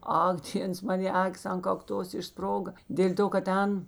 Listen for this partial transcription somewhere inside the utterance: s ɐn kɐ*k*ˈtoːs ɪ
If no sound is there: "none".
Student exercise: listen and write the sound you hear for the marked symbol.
k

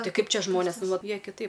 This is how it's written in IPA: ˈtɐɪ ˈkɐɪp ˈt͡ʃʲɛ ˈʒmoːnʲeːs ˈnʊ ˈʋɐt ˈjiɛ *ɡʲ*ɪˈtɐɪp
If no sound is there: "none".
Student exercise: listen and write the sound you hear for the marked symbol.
kʲ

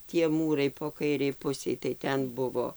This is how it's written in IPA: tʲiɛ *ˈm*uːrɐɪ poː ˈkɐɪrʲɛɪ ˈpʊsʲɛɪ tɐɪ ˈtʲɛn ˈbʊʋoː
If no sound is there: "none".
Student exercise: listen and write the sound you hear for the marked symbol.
m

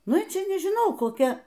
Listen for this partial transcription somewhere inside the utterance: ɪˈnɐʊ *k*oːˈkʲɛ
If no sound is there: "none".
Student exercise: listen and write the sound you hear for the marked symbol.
k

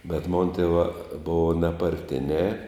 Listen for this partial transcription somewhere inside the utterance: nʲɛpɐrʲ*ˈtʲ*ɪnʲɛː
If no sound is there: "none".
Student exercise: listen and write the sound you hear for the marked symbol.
tʲ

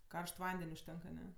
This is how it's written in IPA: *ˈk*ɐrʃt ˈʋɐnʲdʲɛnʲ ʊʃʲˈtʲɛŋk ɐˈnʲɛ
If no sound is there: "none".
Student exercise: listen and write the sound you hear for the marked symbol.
k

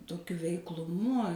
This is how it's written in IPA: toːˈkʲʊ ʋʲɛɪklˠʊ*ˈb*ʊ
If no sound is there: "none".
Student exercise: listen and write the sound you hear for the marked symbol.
m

